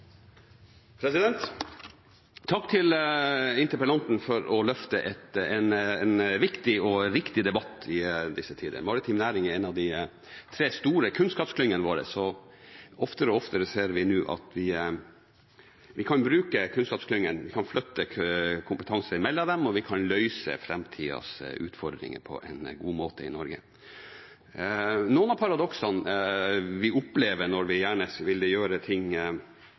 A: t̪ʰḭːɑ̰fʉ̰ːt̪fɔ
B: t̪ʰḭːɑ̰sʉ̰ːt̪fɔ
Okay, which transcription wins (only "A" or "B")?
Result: B